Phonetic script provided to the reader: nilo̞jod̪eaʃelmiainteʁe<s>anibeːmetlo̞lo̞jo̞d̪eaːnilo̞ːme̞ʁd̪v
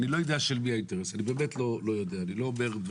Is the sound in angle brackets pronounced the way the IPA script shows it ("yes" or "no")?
yes